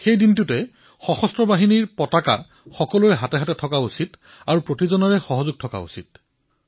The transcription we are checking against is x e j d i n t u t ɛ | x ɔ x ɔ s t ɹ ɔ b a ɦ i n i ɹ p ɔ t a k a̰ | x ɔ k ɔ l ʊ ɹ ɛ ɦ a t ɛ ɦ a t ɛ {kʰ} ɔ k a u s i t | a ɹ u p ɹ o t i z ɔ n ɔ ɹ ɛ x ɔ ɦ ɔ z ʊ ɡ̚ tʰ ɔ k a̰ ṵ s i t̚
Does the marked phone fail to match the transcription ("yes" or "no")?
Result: yes